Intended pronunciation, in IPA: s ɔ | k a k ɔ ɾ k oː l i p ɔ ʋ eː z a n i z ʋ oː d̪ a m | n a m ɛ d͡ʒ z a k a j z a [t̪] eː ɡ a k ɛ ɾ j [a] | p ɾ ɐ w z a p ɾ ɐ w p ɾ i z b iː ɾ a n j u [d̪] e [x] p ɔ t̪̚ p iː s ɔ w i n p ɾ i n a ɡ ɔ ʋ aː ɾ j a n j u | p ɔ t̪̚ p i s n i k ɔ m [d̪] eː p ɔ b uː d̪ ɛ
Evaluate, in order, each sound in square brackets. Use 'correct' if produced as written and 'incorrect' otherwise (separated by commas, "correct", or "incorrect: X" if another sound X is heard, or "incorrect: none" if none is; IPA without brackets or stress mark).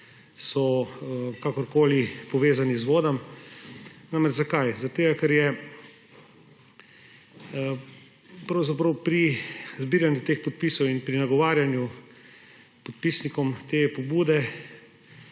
correct, incorrect: ɛ, incorrect: t̪, correct, incorrect: t̪